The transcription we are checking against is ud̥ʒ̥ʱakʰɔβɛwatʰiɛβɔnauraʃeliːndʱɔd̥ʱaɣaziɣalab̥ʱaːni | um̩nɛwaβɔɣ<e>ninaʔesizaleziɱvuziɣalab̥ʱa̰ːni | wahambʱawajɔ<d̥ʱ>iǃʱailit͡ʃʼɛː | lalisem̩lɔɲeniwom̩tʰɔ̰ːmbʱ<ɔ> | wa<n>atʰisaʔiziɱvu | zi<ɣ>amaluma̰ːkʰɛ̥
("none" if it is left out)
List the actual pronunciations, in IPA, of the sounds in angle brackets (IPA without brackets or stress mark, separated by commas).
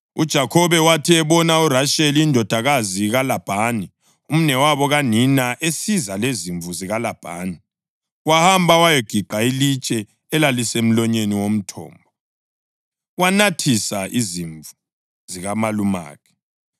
a, ɡ̥ʱ, ɔ, n, ɣ